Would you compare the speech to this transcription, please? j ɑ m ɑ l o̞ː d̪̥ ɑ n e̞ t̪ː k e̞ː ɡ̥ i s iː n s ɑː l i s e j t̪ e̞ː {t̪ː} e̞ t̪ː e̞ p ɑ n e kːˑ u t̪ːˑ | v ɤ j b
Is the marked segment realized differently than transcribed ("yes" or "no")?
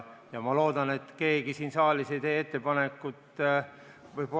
yes